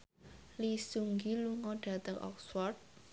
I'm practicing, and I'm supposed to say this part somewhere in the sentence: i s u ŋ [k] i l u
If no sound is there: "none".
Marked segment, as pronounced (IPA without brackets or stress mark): ɡ